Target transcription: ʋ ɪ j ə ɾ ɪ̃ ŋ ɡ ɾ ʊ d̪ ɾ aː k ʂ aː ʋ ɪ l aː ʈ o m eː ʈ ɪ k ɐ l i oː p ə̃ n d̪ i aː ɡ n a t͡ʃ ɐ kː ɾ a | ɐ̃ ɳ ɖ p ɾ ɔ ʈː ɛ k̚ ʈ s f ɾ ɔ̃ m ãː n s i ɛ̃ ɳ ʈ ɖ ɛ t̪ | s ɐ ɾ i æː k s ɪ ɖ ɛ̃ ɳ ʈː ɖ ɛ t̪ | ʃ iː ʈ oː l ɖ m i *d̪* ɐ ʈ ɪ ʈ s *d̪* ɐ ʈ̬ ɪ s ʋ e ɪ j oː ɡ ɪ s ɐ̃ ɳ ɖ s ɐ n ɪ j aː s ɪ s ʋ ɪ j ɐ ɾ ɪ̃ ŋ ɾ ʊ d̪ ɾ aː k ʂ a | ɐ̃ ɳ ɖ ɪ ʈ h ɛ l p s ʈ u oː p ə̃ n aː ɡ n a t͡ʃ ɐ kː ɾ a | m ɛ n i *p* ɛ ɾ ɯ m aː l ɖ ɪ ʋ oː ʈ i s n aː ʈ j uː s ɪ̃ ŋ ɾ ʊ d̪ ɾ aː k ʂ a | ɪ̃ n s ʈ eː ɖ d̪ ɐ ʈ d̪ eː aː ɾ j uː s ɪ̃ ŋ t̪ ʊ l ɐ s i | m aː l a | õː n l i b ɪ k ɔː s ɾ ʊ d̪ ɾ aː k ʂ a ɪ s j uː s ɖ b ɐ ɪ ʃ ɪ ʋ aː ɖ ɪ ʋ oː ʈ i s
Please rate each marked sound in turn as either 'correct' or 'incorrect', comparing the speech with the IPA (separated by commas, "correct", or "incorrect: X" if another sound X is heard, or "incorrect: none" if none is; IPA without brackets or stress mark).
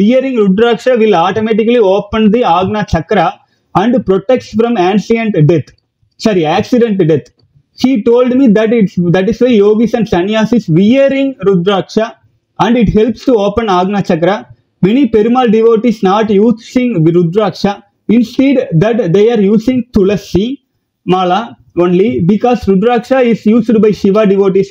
correct, correct, correct